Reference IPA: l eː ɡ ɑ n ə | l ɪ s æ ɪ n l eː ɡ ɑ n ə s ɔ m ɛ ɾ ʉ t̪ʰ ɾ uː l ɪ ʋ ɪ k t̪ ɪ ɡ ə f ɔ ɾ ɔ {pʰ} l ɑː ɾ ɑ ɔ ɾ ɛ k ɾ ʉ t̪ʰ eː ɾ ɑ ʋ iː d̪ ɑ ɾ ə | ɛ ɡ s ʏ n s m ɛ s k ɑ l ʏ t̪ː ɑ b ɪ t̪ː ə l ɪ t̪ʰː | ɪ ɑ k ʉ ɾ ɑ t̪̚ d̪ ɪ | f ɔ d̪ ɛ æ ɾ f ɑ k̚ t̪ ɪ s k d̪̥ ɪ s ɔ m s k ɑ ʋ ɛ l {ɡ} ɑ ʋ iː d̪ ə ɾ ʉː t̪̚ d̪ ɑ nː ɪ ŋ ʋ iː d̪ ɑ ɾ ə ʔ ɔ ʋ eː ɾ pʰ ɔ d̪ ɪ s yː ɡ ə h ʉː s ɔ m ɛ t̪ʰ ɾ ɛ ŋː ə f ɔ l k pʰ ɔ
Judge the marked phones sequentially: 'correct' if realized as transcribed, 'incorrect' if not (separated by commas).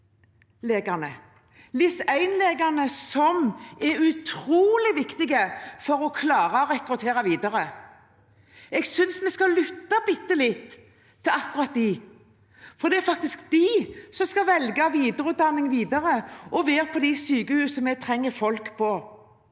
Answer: incorrect, correct